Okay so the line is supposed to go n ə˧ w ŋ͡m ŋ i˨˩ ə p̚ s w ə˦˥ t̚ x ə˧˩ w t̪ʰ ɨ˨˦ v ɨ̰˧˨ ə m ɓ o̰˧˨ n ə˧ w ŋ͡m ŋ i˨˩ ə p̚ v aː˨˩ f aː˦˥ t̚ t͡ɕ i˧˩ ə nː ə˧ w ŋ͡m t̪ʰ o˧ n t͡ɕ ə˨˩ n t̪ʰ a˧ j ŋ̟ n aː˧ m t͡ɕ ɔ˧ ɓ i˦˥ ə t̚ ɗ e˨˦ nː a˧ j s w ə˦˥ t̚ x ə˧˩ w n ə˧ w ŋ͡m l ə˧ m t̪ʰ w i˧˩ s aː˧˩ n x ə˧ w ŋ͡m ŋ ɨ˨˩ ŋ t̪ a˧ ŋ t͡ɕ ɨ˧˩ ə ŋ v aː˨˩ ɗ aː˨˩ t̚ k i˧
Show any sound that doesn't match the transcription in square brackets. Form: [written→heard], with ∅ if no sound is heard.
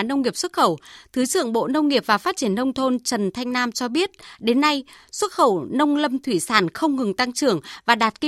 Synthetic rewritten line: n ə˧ w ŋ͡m ŋ i˨˩ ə p̚ s w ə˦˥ t̚ x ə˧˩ w t̪ʰ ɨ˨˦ [v→z] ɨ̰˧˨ ə [m→ŋ] ɓ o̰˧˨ n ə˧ w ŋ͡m ŋ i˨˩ ə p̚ v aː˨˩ f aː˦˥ t̚ t͡ɕ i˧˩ ə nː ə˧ w ŋ͡m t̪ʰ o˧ n t͡ɕ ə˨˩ n t̪ʰ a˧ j ŋ̟ n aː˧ m t͡ɕ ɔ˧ ɓ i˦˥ ə t̚ ɗ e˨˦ nː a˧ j s w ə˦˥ t̚ x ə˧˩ w n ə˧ w ŋ͡m l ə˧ m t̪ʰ w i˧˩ s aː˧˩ n x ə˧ w ŋ͡m ŋ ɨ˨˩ ŋ t̪ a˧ ŋ t͡ɕ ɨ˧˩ ə ŋ v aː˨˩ ɗ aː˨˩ t̚ k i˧